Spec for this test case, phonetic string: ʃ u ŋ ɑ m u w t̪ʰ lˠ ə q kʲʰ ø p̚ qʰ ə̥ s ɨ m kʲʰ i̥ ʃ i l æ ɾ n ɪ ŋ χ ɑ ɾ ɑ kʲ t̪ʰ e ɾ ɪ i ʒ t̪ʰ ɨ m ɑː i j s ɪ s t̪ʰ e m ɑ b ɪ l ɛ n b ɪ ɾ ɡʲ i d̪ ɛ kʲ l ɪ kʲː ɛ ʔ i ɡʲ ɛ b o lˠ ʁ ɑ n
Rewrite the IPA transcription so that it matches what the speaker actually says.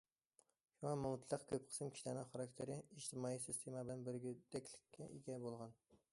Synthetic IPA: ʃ u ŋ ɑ m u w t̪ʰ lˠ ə q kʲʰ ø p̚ qʰ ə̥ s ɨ m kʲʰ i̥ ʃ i l æ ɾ n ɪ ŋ χ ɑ ɾ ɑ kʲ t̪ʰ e ɾ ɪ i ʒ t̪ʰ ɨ m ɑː i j s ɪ s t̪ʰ e m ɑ b ɪ l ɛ n b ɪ ɾ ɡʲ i d̪ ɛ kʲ l ɪ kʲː ɛ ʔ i ɡʲ ɛ b o lˠ ʁ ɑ n